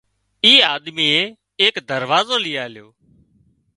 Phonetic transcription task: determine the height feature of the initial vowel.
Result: high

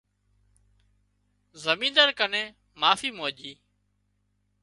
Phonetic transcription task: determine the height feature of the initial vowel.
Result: mid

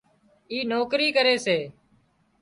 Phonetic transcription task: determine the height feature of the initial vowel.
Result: high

